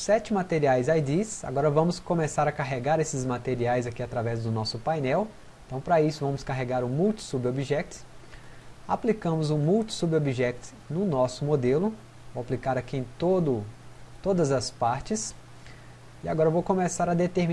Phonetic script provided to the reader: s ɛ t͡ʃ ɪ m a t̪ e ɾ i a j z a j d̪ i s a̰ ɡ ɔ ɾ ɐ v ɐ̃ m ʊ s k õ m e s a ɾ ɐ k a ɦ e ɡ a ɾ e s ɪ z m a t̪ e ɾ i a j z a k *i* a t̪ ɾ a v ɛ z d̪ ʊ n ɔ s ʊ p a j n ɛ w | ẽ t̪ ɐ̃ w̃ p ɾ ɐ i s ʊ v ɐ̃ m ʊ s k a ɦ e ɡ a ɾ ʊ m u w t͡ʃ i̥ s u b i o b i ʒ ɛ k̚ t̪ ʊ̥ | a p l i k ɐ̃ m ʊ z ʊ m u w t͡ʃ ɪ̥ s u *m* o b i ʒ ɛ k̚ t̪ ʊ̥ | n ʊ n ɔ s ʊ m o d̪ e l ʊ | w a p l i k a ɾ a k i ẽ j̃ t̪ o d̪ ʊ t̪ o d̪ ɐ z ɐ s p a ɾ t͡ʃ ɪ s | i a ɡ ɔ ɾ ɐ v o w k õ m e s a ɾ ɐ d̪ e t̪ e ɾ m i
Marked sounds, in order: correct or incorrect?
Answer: correct, incorrect

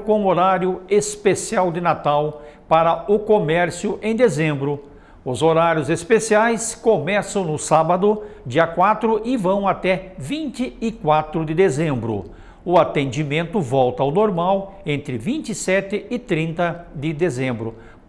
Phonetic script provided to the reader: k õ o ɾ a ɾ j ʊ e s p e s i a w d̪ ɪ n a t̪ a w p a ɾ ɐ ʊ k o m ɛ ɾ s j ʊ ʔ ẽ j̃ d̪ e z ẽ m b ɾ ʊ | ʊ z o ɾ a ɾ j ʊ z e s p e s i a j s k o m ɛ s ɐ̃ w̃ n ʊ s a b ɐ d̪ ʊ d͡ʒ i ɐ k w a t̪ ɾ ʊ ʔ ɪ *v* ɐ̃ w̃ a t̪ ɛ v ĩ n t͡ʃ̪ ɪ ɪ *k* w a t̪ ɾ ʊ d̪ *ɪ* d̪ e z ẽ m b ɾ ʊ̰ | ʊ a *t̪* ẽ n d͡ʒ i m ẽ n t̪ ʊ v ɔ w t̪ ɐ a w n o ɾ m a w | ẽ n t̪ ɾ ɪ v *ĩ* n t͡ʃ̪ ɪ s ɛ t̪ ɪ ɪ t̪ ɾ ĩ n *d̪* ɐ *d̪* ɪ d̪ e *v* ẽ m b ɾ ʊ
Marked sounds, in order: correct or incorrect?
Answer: correct, correct, correct, correct, correct, incorrect, correct, incorrect

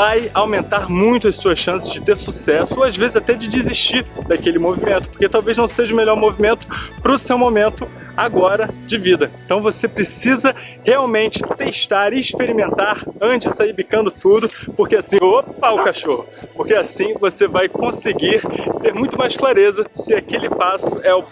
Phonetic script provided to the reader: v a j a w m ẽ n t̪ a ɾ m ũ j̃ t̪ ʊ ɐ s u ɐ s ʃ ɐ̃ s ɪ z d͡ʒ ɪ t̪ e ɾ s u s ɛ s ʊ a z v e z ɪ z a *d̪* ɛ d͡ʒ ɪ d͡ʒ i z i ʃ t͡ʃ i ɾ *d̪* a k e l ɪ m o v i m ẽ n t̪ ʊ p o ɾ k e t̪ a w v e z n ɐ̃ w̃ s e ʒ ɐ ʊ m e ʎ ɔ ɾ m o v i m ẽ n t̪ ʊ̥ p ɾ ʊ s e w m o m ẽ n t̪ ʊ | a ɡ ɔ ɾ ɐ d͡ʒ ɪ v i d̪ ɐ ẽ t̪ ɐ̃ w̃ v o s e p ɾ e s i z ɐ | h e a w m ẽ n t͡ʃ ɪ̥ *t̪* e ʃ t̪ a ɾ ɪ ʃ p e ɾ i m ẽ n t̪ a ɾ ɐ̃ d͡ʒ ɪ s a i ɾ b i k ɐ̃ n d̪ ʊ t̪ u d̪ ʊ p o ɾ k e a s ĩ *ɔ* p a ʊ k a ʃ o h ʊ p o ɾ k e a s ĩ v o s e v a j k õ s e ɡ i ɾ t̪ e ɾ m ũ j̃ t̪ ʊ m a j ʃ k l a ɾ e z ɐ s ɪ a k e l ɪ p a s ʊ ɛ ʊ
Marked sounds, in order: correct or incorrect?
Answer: incorrect, correct, correct, incorrect

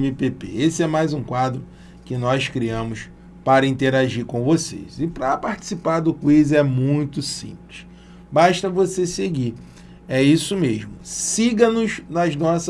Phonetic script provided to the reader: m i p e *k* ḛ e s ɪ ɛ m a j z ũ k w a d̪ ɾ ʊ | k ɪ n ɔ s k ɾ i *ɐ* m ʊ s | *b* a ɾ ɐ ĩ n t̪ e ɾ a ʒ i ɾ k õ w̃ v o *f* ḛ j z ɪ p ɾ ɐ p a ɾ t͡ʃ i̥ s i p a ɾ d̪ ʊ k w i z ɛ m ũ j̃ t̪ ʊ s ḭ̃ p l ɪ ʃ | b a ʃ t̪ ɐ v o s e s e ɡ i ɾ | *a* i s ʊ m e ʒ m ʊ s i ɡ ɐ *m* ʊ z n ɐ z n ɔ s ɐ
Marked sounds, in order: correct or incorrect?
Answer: incorrect, incorrect, incorrect, incorrect, incorrect, incorrect

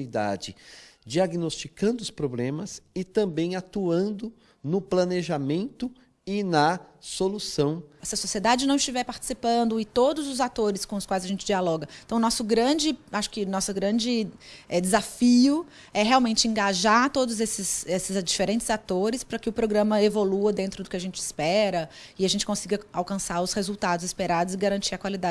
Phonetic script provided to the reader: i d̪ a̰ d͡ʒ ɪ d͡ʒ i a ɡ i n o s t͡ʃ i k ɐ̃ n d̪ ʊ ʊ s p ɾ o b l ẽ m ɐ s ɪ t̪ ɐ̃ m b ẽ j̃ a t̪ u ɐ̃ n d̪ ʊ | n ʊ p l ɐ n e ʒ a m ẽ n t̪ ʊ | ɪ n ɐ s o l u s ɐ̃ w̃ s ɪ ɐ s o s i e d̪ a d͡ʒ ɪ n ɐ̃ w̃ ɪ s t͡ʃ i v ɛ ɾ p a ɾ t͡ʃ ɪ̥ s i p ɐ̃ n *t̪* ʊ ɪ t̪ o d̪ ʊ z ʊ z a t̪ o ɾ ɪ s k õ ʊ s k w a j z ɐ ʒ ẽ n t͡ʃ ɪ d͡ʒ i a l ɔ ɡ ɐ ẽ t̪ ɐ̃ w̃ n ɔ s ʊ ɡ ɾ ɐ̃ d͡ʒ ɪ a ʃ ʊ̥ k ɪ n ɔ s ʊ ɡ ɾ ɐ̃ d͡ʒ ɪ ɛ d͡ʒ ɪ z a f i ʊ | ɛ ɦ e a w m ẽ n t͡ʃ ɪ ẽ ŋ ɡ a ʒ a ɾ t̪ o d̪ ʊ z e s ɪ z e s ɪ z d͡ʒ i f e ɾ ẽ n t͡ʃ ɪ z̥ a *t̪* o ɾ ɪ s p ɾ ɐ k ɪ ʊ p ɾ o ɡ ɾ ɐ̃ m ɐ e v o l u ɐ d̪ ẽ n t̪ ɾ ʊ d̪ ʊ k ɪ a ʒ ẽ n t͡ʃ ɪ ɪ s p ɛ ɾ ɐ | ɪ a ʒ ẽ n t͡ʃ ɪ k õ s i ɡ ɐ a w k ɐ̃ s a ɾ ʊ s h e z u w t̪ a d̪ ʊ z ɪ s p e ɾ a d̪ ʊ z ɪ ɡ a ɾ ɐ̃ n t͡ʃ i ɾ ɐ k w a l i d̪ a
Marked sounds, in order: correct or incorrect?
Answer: incorrect, correct

